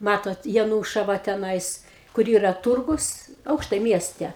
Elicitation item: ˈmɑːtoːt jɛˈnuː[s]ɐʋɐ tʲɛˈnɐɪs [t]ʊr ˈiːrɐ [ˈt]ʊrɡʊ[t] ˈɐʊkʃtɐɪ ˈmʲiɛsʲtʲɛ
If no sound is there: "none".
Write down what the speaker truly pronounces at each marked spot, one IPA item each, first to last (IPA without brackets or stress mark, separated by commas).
ʃ, k, t, s